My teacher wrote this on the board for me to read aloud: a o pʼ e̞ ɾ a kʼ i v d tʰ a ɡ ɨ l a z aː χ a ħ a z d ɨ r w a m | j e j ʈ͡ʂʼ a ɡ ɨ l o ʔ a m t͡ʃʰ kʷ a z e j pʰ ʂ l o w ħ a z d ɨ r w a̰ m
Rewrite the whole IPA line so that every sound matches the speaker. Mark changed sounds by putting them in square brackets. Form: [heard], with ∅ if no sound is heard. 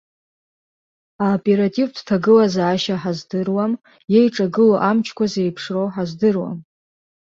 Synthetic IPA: a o pʼ e̞ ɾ a [tʼ] i v d tʰ a ɡ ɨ l a z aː [ʃ] a ħ a z d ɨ r w a m | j e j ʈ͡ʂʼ a ɡ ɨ l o ʔ a m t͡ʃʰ kʷ a z e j pʰ ʂ [r] o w ħ a z d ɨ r w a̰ m